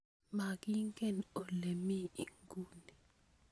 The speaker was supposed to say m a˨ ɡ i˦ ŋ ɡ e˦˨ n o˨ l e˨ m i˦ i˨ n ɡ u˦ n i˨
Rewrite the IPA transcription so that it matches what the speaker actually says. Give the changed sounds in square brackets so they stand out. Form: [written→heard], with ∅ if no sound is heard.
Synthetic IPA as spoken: m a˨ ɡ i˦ ŋ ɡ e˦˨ n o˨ l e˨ m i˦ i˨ [n→ŋ] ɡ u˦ n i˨